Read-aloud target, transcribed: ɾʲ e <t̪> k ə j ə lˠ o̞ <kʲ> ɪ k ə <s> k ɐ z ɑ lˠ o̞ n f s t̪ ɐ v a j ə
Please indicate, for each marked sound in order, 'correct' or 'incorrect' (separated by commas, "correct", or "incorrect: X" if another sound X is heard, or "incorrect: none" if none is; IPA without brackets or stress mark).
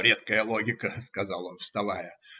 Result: correct, incorrect: ɡʲ, correct